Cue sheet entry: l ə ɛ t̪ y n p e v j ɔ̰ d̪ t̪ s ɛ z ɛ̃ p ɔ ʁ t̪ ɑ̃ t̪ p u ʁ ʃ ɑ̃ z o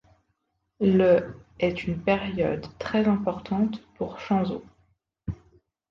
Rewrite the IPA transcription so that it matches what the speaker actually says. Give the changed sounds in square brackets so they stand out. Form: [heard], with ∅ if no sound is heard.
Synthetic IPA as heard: l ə ɛ t̪ y n p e [ʁ] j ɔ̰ d̪ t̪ [χ] ɛ z ɛ̃ p ɔ ʁ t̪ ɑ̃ t̪ p u ʁ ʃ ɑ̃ z o